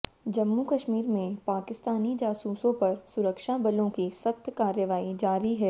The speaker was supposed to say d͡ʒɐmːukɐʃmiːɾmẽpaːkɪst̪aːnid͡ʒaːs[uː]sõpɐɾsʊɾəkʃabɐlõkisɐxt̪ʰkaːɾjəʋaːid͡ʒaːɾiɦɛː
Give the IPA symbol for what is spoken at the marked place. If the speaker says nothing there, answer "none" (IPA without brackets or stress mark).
uː